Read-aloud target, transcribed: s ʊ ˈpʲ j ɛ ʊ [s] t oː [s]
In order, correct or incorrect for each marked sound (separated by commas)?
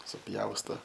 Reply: correct, incorrect